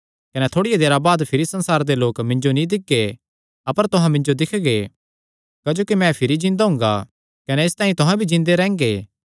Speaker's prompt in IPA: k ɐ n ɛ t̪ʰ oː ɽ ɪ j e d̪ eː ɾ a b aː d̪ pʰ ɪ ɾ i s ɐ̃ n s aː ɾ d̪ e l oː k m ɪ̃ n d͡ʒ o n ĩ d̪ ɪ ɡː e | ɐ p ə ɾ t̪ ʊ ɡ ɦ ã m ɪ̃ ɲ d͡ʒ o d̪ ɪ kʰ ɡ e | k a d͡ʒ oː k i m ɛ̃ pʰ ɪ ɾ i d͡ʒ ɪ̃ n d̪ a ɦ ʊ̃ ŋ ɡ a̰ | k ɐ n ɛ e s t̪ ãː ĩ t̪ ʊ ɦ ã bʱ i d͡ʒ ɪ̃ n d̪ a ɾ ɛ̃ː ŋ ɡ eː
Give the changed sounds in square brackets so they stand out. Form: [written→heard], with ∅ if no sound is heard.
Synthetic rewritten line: k ɐ n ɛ t̪ʰ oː ɽ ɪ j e d̪ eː ɾ a b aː d̪ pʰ ɪ ɾ i s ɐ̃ n s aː ɾ d̪ e l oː k m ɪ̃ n d͡ʒ o n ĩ d̪ ɪ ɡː e | ɐ p ə ɾ t̪ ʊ [ɡ→∅] ɦ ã m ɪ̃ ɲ d͡ʒ o d̪ ɪ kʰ ɡ e | k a d͡ʒ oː k i m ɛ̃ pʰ ɪ ɾ i d͡ʒ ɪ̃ n d̪ a ɦ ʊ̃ ŋ ɡ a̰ | k ɐ n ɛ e s t̪ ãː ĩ t̪ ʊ ɦ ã bʱ i d͡ʒ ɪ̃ n d̪ [a→e] ɾ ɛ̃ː ŋ ɡ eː

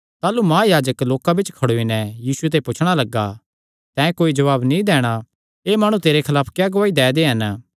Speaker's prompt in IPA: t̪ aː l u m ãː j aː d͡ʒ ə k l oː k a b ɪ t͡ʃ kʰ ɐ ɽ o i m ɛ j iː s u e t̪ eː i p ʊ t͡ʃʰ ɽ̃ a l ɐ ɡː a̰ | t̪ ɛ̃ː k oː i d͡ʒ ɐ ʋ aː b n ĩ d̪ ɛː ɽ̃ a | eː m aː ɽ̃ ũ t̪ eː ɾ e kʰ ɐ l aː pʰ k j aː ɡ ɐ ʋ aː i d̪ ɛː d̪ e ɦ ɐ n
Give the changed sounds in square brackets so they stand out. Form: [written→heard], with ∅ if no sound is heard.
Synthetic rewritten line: t̪ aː l u m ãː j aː d͡ʒ ə k l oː k a b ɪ t͡ʃ kʰ ɐ ɽ o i [m→n] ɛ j iː s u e t̪ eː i p ʊ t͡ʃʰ ɽ̃ a l ɐ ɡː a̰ | t̪ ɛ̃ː k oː i d͡ʒ ɐ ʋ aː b n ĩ d̪ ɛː ɽ̃ a | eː m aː ɽ̃ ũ t̪ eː ɾ e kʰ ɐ l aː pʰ k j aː ɡ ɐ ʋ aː i d̪ ɛː d̪ e ɦ ɐ n

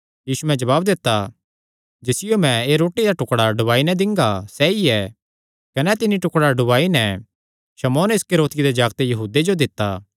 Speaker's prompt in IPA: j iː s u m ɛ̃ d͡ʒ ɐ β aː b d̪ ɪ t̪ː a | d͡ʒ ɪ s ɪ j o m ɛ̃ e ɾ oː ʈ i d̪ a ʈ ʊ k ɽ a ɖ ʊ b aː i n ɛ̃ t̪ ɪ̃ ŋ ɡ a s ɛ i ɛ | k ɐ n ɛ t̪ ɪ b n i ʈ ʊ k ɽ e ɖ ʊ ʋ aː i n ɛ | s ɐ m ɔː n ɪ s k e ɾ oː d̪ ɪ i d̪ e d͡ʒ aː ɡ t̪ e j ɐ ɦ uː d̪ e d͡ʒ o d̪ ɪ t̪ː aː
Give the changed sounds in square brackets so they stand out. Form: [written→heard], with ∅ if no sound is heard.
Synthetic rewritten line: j iː s u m ɛ̃ d͡ʒ ɐ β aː b d̪ ɪ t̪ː a | d͡ʒ ɪ s ɪ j o m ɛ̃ e ɾ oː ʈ i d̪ a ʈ ʊ k ɽ a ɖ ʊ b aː i n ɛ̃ [t̪→d̪] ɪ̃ ŋ ɡ a s ɛ i ɛ | k ɐ n ɛ t̪ ɪ [b→∅] n i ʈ ʊ k ɽ [e→a] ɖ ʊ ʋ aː i n ɛ | [s→ʃ] ɐ m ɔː n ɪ s k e ɾ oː [d̪→t̪] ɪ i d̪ e d͡ʒ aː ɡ t̪ e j ɐ ɦ uː d̪ e d͡ʒ o d̪ ɪ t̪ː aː

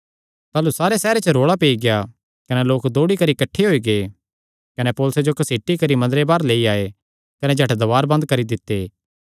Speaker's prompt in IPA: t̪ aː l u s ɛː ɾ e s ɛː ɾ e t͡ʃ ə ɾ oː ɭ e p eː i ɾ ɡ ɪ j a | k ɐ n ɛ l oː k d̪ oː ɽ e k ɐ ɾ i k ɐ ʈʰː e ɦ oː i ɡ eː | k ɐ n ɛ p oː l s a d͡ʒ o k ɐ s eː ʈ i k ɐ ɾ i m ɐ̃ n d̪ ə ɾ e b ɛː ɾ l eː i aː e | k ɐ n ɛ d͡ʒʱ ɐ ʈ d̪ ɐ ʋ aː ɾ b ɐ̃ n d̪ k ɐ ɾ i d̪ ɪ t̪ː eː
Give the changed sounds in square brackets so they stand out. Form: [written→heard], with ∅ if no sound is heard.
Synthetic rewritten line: t̪ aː l u s [ɛː→aː] ɾ e s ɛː ɾ e t͡ʃ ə ɾ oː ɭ [e→a] p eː i [ɾ→∅] ɡ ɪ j a | k ɐ n ɛ l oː k d̪ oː ɽ [e→i] k ɐ ɾ i k ɐ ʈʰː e ɦ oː i ɡ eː | k ɐ n ɛ p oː l s [a→e] d͡ʒ o k ɐ s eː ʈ i k ɐ ɾ i m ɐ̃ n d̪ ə ɾ e b [ɛː→aː] ɾ l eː i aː e | k ɐ n ɛ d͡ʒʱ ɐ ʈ d̪ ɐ ʋ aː ɾ b ɐ̃ n d̪ k ɐ ɾ i d̪ ɪ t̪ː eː

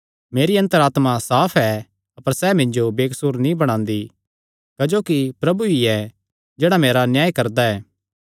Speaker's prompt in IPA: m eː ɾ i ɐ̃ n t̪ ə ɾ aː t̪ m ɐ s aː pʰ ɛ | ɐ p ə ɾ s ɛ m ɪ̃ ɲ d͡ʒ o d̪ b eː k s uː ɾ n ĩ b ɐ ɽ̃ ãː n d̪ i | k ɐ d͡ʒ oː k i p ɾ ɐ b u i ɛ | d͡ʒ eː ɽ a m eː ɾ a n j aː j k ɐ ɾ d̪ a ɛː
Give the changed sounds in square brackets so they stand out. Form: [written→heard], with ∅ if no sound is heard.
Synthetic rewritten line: m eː ɾ i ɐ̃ n t̪ ə ɾ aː t̪ m [ɐ→a] s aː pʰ ɛ | ɐ p ə ɾ s ɛ m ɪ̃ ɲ d͡ʒ o [d̪→∅] b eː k s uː ɾ n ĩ b ɐ ɽ̃ ãː n d̪ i | k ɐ d͡ʒ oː k i p ɾ ɐ b u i ɛ | d͡ʒ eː ɽ a m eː ɾ a n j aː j k ɐ ɾ d̪ a ɛː

